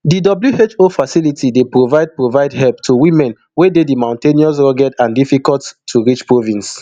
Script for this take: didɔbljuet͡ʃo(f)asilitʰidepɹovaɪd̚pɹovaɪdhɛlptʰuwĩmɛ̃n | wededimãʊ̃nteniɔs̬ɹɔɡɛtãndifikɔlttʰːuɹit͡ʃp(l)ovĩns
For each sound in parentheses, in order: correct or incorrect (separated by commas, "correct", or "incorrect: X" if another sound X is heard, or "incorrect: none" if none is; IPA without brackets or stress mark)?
correct, incorrect: ɹ